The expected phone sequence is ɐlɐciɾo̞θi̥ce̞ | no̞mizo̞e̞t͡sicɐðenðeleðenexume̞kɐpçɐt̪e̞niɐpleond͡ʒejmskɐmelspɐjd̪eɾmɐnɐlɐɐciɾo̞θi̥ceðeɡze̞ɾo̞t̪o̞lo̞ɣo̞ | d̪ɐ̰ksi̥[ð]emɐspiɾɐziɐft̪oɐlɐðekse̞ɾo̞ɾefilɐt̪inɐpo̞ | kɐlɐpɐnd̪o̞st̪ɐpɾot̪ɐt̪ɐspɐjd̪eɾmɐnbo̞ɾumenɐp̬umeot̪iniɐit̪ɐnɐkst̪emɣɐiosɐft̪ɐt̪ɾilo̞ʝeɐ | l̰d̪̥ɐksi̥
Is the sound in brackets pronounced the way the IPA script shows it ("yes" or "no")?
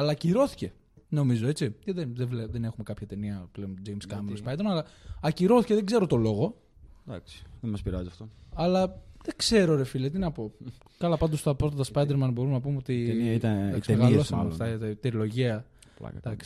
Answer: yes